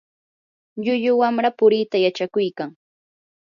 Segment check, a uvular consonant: absent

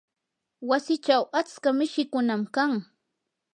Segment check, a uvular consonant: absent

